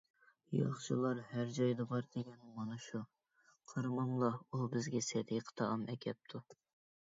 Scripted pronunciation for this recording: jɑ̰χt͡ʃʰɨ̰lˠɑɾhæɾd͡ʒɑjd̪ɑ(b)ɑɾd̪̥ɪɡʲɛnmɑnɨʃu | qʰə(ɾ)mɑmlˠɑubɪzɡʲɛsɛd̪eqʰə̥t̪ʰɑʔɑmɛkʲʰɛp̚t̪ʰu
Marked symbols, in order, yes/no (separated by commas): yes, yes